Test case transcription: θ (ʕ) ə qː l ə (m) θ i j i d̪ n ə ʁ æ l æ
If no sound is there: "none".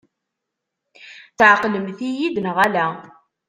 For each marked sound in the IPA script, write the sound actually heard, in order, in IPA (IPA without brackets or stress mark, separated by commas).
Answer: ʕ, m